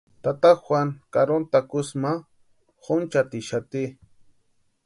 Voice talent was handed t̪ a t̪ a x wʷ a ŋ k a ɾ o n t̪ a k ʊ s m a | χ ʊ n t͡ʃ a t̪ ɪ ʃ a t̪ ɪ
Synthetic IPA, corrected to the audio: t̪ a t̪ a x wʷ a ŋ k a ɾ o n t̪ a k ʊ s m a | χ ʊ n t͡ʃ a t̪ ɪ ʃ a t̪ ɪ

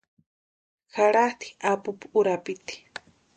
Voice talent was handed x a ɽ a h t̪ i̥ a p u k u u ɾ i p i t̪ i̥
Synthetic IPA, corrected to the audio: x a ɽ a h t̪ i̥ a p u p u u ɾ a p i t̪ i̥

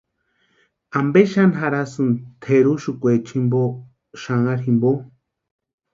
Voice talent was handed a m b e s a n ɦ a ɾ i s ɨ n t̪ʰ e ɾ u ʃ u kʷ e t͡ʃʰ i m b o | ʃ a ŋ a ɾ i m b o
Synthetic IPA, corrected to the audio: a m b e ʃ a n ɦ a ɾ a s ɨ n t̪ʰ e ɾ u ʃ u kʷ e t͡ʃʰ i m b o | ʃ a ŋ a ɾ i m b o

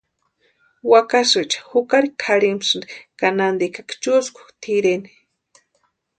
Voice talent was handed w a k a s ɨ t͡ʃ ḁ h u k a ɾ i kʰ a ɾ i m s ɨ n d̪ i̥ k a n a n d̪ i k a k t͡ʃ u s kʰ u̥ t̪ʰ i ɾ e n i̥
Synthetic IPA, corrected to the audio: w a k a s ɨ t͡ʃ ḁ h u k a ɾ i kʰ a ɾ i m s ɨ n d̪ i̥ k a n a n d̪ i k a k t͡ʃ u s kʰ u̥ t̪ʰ i ɾ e n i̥

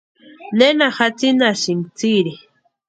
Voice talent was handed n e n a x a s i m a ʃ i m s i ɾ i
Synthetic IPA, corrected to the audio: n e n a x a t͡s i n a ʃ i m t͡s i ɾ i

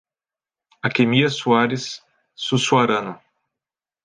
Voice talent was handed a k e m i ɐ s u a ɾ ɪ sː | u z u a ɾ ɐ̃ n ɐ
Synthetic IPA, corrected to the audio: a k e m i ɐ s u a ɾ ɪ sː | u s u a ɾ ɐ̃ n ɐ

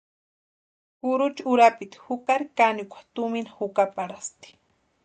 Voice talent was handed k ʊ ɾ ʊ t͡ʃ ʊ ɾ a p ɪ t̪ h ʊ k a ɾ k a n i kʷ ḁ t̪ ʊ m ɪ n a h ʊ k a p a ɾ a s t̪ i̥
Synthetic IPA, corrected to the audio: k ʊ ɾ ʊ t͡ʃ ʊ ɾ a p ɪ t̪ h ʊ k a ɾ k a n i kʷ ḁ t̪ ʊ m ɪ n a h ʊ k a p a ɾ a s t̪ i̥

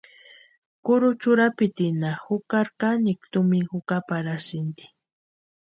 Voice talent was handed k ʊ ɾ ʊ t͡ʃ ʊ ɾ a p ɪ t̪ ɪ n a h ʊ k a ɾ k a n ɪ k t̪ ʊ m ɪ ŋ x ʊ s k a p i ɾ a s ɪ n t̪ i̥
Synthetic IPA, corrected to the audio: k ʊ ɾ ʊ t͡ʃ ʊ ɾ a p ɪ t̪ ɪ n a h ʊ k a ɾ k a n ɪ k t̪ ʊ m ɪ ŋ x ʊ k a p a ɾ a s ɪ n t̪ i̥

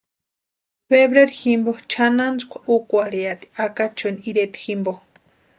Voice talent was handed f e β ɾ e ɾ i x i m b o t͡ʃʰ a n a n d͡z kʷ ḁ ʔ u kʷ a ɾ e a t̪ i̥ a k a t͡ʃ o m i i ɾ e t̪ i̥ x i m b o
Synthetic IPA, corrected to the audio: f e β ɾ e ɾ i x i m b o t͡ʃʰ a n a n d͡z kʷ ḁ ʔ u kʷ a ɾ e a t̪ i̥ a k a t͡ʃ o n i i ɾ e t̪ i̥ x i m b o

